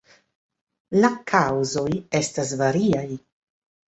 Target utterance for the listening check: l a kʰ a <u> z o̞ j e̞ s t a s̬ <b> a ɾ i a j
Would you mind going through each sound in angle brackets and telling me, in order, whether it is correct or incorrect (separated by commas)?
incorrect, incorrect